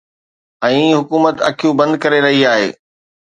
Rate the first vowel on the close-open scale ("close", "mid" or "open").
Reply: mid